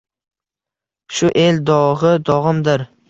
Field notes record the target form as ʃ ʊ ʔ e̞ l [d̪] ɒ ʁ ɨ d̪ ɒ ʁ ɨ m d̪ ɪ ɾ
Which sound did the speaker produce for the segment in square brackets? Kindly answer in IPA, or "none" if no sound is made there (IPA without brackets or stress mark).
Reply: d̪